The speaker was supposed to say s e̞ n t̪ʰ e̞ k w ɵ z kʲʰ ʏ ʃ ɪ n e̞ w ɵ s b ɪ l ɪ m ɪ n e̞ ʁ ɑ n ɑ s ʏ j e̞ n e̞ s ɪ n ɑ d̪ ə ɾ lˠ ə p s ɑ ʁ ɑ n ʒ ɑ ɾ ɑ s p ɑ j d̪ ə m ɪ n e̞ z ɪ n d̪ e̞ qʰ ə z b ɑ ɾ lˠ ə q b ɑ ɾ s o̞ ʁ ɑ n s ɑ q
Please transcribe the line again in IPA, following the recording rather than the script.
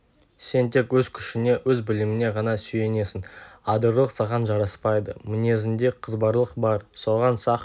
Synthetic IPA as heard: s e̞ n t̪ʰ e̞ k w ɵ z kʲʰ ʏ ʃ ɪ n e̞ w ɵ z b ɪ l ɪ m ɪ n e̞ ʁ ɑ n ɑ s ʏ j e̞ n e̞ s ɪ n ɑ d̪ ə ɾ lˠ ə q s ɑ ʁ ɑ n ʒ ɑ ɾ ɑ s p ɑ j d̪ ə m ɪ n e̞ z ɪ n d̪ e̞ qʰ ə z b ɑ ɾ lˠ ə q b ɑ ɾ s o̞ ʁ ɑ n s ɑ q